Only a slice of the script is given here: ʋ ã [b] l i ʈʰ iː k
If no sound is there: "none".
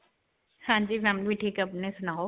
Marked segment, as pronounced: m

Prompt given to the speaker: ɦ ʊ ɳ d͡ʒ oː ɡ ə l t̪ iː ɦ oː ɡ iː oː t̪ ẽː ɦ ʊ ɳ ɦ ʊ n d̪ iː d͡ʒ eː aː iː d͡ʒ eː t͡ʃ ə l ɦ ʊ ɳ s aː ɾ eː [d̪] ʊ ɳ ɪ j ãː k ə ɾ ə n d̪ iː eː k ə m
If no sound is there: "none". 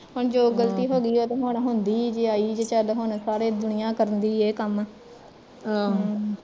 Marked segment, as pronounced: d̪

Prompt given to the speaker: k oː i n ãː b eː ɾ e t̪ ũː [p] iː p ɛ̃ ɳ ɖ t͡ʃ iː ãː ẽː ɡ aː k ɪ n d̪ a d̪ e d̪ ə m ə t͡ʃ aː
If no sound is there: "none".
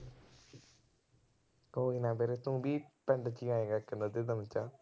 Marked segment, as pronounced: b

